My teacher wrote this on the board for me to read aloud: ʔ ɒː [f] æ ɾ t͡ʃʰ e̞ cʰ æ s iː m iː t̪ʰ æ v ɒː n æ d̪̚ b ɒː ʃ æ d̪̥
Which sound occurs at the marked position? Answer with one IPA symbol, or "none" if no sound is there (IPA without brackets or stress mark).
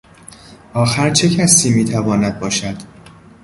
x